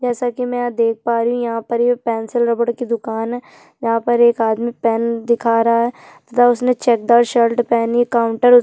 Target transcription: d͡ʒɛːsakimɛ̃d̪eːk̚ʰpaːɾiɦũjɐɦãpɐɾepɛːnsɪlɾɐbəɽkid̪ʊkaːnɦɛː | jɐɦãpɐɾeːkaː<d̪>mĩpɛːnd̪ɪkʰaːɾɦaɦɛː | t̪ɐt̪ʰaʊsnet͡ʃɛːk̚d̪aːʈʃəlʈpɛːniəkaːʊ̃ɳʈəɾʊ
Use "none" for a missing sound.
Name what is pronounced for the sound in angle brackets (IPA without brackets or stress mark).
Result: d̪